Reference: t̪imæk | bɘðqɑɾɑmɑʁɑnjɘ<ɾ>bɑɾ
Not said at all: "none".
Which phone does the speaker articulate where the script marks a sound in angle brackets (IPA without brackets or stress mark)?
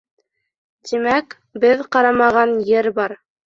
ɾ